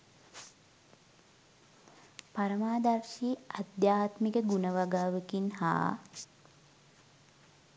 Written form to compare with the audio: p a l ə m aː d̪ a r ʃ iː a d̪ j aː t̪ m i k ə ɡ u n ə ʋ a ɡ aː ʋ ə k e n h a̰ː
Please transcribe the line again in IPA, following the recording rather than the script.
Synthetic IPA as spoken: p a ɾ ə m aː d̪ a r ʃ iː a d̪ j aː t̪ m i k ə ɡ u n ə ʋ a ɡ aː ʋ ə k i n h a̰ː